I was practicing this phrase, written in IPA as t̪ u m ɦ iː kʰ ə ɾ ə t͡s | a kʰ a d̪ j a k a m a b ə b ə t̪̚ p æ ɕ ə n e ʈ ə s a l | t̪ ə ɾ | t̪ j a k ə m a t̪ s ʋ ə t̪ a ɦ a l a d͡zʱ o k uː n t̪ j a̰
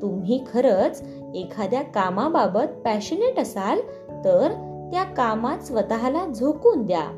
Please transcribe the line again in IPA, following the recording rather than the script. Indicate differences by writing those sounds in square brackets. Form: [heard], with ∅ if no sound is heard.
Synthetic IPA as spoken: t̪ u m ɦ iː kʰ ə ɾ ə t͡s | [e] kʰ a d̪ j a k a m a b [a] b ə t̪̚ p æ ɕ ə n e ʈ ə s a l | t̪ ə ɾ | t̪ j a k [a] m a t̪ s ʋ ə t̪ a ɦ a l a d͡zʱ o k uː n [d̪] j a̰